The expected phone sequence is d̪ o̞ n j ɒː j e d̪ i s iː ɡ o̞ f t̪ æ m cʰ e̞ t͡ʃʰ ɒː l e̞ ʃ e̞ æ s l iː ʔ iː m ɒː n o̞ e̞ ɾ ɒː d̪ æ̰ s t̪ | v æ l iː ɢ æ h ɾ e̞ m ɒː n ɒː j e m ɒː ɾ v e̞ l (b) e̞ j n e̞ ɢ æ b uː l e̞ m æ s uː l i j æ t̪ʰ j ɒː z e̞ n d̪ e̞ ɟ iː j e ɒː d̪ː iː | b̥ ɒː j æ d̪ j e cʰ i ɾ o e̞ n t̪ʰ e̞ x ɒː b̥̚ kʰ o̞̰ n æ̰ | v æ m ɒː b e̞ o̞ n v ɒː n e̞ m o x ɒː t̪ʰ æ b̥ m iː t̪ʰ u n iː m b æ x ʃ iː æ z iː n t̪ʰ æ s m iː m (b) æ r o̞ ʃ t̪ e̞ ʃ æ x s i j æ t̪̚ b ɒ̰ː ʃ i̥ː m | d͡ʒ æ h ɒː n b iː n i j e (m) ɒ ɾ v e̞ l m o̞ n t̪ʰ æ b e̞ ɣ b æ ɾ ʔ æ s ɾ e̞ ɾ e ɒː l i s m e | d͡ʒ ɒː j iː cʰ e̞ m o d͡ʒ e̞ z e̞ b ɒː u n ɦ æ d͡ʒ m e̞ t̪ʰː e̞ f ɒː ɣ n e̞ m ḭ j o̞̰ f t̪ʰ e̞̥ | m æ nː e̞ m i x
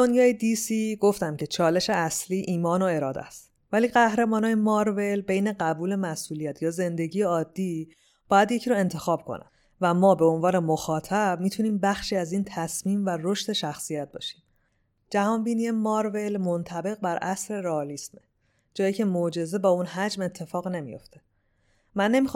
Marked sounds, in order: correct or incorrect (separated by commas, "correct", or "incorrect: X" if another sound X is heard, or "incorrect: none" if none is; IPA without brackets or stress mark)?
correct, incorrect: v, correct